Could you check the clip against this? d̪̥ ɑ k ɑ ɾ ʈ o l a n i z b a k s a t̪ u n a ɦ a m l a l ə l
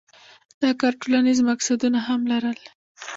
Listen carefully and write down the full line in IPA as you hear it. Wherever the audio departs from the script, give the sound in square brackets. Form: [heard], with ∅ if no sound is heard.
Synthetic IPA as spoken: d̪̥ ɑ k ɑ ɾ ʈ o l a n i z [m] a k s a [d̪] u n a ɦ a m l a [ɾ] ə l